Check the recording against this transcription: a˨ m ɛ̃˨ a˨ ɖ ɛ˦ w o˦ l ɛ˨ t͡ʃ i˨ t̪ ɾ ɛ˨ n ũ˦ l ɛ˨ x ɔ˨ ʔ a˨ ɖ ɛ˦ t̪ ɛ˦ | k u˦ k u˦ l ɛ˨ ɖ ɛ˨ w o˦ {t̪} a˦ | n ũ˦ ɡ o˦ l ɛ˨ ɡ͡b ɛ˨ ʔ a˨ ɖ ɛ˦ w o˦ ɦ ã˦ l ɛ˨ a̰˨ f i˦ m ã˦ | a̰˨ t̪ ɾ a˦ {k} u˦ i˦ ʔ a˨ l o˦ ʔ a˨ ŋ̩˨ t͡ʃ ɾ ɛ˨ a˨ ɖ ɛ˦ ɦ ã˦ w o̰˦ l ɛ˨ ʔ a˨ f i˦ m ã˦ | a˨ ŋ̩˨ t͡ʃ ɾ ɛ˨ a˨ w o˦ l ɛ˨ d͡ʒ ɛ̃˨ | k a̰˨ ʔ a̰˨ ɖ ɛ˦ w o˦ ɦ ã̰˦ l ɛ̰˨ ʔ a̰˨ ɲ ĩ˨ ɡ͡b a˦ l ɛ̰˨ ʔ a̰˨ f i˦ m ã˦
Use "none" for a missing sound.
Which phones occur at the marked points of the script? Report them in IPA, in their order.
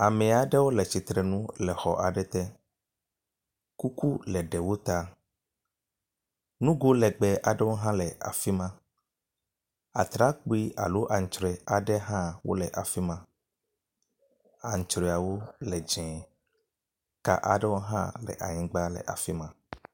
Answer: t̪, k͡p

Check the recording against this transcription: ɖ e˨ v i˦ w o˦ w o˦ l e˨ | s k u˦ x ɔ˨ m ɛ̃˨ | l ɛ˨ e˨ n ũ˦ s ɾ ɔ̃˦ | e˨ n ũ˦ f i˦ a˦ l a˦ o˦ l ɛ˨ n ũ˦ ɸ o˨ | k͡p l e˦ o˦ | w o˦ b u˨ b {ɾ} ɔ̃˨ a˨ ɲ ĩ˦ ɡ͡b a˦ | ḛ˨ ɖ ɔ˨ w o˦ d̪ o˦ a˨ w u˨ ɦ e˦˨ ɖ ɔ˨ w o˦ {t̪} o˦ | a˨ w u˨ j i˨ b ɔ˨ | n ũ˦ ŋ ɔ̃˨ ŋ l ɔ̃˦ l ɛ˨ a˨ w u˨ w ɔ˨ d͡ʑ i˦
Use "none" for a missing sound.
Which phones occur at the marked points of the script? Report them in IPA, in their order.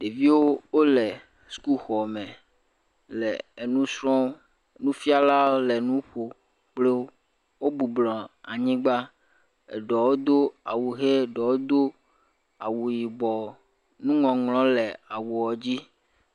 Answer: l, d̪

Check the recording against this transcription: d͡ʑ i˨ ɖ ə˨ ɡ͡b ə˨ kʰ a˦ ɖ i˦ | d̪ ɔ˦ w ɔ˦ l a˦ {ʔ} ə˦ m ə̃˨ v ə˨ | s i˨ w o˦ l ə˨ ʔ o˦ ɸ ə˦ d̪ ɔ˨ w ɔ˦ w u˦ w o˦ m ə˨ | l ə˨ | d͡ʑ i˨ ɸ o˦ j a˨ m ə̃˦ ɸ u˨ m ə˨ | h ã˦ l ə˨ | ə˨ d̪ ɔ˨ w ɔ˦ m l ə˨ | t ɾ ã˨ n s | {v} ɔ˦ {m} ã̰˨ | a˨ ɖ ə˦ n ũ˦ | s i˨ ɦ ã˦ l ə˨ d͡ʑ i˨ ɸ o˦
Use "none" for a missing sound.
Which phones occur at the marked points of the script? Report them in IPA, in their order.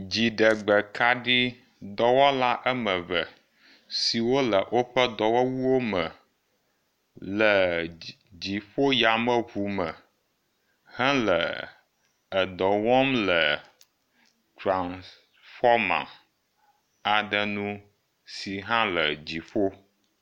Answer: ʔ, f, m

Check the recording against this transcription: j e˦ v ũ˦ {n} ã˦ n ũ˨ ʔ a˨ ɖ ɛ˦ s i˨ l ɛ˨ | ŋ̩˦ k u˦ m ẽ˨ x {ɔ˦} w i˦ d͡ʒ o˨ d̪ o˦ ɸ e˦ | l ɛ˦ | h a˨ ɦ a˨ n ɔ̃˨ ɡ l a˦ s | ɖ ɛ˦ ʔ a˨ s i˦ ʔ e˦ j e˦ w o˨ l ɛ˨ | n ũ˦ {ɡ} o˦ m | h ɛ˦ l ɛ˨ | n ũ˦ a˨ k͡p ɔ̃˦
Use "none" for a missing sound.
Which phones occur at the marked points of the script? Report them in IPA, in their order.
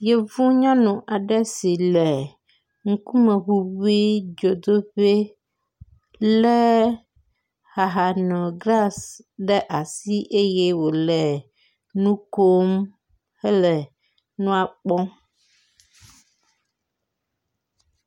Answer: ɲ, u˦, k

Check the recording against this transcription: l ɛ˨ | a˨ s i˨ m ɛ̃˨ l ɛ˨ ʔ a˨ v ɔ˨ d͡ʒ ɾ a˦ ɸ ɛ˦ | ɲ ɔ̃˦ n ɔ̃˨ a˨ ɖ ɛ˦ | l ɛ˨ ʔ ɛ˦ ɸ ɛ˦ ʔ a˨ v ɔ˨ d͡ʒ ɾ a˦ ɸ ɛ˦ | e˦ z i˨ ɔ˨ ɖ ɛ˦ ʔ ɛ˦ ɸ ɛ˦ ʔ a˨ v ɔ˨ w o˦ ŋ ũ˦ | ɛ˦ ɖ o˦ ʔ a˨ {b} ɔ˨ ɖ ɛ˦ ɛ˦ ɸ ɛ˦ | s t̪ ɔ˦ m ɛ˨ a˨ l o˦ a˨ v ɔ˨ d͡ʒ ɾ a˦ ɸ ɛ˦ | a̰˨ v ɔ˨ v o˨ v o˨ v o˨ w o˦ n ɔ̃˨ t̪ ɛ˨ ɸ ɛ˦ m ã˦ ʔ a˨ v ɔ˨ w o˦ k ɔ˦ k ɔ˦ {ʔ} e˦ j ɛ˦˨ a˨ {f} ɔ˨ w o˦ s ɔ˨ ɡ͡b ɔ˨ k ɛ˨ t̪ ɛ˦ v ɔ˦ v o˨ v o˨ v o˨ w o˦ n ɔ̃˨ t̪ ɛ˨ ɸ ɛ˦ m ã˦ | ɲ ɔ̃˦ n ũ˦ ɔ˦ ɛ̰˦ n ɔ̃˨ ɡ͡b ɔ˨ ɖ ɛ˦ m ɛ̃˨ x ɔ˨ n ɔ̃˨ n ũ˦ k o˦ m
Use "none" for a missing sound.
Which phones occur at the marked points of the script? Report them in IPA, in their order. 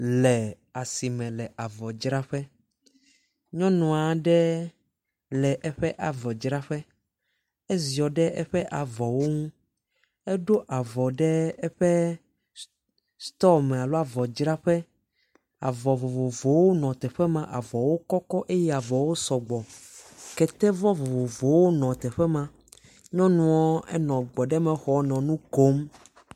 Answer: v, ʔ, v

